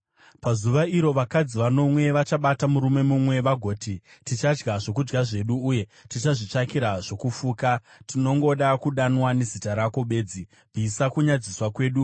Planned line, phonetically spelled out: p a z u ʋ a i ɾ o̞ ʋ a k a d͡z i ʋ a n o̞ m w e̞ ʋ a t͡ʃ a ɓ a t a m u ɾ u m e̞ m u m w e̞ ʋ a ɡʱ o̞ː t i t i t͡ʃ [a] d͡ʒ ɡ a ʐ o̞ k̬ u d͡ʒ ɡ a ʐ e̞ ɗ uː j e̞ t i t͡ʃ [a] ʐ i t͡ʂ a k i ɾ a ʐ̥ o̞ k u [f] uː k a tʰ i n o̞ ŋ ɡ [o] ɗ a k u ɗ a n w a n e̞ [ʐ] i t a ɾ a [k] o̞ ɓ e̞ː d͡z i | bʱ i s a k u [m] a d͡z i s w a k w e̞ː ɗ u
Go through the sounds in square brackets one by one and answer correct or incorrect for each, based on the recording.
correct, correct, correct, correct, incorrect: z, correct, incorrect: ɲ

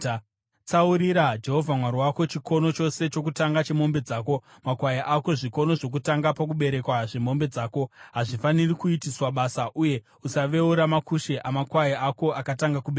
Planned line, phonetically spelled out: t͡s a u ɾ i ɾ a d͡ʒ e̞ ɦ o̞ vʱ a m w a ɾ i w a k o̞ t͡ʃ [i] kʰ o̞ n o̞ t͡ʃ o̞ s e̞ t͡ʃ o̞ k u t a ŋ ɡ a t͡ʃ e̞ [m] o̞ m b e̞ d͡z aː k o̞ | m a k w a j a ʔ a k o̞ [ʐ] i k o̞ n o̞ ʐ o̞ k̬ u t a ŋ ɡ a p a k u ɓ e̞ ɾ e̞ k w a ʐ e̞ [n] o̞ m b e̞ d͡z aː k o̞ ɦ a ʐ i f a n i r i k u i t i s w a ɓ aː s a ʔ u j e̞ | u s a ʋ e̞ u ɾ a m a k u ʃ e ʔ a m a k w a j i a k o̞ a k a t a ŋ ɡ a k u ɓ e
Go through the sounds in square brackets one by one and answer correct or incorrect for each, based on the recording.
correct, correct, correct, incorrect: m

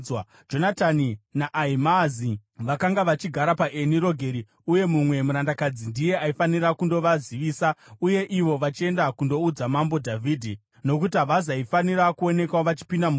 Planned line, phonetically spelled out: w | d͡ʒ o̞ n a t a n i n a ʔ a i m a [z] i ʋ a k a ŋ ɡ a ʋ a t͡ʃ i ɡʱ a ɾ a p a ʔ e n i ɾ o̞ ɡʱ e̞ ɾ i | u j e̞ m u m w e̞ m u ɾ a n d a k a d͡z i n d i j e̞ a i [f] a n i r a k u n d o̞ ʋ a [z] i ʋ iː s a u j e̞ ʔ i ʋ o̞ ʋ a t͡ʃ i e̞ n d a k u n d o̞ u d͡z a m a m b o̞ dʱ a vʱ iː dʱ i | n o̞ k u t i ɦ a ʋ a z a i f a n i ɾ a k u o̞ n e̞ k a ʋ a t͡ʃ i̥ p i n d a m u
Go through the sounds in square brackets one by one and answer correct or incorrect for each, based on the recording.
correct, correct, correct

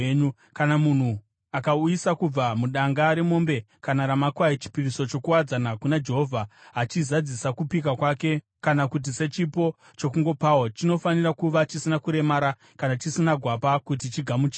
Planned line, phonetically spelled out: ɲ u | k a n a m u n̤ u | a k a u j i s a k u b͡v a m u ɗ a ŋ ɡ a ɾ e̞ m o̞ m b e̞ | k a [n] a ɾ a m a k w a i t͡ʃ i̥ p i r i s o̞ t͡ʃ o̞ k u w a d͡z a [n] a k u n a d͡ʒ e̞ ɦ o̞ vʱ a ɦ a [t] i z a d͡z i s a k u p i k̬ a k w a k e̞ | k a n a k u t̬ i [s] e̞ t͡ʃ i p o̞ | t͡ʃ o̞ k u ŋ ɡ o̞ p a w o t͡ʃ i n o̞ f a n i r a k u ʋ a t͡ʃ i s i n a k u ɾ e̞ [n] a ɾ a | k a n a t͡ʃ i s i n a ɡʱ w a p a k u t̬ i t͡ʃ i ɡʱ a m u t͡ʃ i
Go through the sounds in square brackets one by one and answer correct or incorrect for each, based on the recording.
correct, correct, incorrect: t͡ʃ, correct, incorrect: m

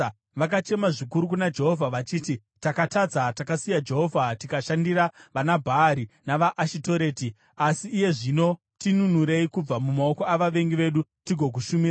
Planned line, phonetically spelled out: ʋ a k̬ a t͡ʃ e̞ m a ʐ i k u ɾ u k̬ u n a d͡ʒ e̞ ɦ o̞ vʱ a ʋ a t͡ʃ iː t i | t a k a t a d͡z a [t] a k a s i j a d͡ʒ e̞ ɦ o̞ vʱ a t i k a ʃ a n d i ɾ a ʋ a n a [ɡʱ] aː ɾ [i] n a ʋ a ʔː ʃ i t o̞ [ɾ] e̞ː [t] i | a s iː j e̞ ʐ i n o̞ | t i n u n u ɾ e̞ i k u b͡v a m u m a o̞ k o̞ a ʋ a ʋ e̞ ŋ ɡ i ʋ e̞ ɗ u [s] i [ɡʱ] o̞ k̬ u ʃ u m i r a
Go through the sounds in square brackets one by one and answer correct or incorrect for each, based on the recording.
correct, incorrect: bʱ, correct, correct, correct, incorrect: t, correct

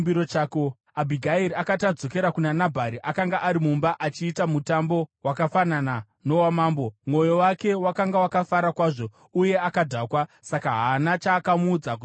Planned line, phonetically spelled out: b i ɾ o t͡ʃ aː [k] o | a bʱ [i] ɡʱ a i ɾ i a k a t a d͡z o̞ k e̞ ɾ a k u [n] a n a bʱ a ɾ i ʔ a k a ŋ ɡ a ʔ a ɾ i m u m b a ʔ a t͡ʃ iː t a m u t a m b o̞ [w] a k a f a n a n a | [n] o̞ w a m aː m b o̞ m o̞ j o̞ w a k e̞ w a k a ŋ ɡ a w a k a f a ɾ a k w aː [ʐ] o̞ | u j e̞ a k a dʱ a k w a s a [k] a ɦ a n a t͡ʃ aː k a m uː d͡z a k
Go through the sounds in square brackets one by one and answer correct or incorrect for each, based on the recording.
correct, correct, correct, correct, correct, correct, correct

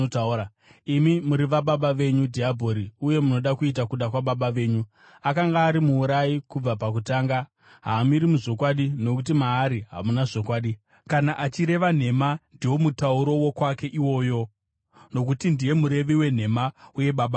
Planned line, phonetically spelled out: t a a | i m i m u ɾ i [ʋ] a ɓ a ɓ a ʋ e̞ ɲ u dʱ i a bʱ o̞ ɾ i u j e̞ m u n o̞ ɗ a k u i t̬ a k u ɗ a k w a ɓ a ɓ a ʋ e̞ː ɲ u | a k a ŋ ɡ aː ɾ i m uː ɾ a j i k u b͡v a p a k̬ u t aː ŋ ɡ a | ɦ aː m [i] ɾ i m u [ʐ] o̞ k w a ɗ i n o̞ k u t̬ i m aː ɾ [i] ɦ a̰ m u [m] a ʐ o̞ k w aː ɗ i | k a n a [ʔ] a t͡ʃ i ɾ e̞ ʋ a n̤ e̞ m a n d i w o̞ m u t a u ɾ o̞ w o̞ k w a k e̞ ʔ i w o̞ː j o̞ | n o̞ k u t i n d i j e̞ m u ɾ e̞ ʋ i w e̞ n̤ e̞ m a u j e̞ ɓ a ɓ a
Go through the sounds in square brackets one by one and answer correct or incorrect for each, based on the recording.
correct, correct, correct, correct, incorrect: n, correct

